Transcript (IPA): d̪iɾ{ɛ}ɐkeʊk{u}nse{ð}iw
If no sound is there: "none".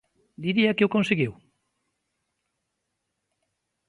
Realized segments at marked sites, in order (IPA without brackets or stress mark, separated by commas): i, o, ɣ